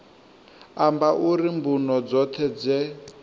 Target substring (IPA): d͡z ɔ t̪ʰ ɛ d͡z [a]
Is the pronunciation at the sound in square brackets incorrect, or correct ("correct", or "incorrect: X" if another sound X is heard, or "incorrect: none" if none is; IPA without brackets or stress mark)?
incorrect: ɛ